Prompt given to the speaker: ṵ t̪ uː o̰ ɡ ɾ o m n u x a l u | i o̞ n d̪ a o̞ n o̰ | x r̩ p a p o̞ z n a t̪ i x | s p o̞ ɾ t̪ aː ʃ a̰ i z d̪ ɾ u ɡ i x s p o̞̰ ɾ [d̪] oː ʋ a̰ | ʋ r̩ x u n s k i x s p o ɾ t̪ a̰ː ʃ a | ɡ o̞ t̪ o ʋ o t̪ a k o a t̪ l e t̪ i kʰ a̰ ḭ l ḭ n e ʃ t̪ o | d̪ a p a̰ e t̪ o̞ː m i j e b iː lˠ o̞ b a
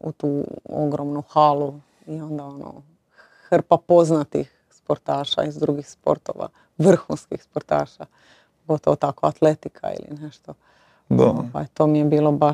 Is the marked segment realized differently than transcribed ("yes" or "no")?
yes